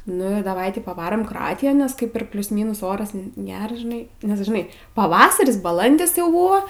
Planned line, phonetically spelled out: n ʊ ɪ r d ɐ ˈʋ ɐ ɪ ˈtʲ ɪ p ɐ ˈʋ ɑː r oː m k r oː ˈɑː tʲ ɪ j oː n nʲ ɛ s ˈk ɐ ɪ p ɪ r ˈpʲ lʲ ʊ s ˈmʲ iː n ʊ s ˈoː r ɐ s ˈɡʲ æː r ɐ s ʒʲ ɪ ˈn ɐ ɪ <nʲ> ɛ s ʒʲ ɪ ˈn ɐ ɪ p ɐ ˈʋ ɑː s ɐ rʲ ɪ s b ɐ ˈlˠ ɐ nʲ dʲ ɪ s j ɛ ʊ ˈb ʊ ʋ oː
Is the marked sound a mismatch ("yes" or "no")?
no